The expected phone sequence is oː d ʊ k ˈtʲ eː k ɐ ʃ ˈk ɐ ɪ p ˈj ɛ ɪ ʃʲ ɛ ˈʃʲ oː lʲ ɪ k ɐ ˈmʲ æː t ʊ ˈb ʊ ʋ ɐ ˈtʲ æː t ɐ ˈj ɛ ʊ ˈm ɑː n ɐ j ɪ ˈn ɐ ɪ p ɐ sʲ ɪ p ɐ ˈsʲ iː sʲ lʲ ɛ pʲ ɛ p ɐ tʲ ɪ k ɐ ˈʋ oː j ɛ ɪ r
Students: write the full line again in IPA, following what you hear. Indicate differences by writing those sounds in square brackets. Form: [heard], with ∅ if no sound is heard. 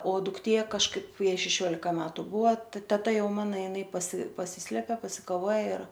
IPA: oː d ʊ k ˈtʲ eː k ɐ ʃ ˈk ɐ ɪ p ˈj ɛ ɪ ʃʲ ɛ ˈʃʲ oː lʲ ɪ k ɐ ˈmʲ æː t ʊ ˈb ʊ ʋ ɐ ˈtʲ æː t ɐ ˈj ɛ ʊ ˈm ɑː n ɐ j ɪ ˈn ɐ ɪ p ɐ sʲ ɪ p ɐ ˈsʲ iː sʲ lʲ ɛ pʲ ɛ p ɐ [sʲ] ɪ k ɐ ˈʋ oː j ɛ ɪ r